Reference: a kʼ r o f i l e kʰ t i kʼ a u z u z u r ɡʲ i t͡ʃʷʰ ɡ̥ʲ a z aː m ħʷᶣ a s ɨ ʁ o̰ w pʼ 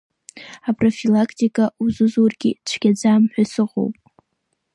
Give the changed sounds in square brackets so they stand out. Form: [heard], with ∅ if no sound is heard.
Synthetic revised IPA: a [pʼ] r o f i l [a] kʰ t i kʼ a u z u z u r ɡʲ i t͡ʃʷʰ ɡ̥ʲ a [d͡z] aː m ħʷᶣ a s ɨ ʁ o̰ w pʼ